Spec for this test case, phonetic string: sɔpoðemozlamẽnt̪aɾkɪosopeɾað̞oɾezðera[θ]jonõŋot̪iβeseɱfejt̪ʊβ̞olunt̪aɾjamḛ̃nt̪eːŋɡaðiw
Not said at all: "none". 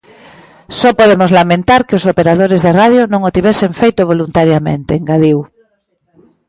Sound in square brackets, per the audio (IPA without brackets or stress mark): ð